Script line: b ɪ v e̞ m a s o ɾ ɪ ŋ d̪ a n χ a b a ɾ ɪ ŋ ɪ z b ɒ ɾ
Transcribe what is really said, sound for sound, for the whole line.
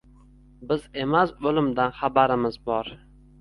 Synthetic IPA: b ɪ z e̞ m a s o l ɪ m d̪ a n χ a b a ɾ ɪ m ɪ z b ɒ ɾ